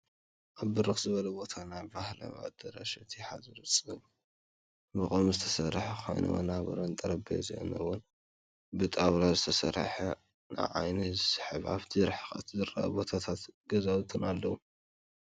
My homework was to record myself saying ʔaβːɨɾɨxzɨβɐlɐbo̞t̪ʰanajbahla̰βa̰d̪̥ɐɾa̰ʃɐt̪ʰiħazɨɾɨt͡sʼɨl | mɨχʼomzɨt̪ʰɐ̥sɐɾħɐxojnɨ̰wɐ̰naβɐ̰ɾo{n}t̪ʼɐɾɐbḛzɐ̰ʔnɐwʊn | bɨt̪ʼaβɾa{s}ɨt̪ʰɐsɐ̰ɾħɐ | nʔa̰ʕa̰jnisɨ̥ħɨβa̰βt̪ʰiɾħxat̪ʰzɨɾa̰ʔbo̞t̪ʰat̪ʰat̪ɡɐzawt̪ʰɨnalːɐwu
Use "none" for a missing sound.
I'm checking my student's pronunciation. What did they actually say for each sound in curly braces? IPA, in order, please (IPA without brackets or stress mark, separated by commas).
n, z